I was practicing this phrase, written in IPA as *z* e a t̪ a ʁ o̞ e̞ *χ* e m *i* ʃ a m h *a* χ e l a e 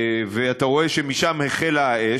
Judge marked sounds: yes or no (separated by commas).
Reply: no, no, yes, no